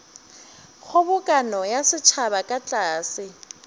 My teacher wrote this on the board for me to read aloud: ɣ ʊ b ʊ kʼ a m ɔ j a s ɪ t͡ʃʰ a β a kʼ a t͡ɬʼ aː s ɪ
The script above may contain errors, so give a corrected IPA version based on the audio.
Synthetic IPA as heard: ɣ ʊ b ʊ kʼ a n ɔ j a s ɪ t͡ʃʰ a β a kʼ a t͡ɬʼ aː s ɪ